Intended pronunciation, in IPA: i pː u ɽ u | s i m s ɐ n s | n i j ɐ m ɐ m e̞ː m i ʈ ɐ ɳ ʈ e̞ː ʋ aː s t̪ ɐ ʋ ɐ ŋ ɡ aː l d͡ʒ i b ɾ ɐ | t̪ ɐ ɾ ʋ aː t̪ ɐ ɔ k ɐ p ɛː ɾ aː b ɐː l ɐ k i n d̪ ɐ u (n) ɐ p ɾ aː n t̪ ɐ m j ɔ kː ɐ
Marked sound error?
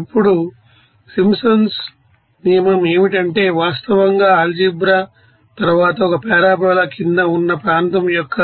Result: yes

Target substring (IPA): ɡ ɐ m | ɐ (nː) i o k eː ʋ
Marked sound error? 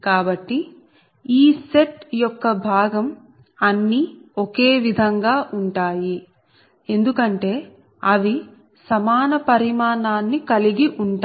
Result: no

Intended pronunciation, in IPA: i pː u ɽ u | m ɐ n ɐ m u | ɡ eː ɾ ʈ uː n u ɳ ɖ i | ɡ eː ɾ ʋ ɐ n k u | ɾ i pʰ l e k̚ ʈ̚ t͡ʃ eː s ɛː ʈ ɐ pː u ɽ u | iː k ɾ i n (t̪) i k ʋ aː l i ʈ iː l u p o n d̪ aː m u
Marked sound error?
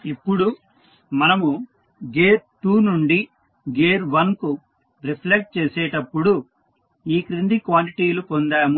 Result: yes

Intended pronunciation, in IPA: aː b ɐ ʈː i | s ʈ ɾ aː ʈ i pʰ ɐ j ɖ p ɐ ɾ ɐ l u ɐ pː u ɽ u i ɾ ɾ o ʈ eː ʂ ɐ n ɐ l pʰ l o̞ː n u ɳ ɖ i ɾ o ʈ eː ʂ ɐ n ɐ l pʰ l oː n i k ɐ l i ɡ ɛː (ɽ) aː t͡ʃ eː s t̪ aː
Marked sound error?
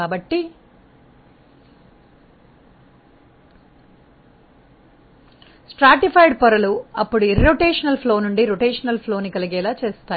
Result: yes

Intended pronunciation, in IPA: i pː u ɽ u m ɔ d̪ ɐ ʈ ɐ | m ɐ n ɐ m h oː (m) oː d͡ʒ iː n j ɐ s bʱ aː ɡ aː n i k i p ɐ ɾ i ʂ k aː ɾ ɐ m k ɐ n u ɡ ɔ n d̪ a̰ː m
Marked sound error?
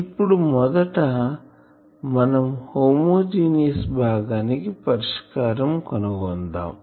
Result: no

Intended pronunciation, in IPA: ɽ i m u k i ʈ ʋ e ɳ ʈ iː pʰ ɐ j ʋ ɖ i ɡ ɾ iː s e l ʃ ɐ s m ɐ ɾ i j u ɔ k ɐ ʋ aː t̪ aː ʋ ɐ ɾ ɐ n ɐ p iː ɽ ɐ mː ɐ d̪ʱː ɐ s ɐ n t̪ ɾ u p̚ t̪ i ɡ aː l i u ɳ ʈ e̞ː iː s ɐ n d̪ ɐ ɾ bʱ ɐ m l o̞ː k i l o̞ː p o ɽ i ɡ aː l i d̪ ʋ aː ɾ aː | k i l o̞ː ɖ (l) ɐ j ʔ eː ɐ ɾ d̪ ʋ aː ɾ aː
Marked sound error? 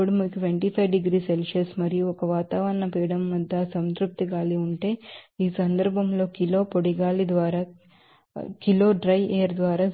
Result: yes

